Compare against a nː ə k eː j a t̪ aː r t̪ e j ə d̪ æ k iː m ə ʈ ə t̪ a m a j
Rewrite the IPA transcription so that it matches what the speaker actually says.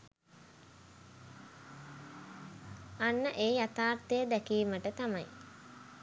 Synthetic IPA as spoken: a nː ə ʔ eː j a t̪ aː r t̪ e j ə d̪ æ k iː m ə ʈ ə t̪ a m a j